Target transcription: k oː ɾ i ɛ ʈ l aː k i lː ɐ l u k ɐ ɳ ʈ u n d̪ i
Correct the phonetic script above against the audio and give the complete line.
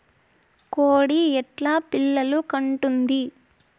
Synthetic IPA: k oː ɽ i ɛ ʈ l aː p i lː ɐ l u k ɐ ɳ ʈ u n d̪ i